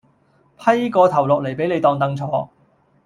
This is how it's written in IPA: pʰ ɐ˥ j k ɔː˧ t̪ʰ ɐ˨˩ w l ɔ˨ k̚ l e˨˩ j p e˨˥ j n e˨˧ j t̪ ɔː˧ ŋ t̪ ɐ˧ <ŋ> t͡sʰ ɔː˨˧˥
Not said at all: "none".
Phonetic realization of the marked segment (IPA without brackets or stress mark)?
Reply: ŋ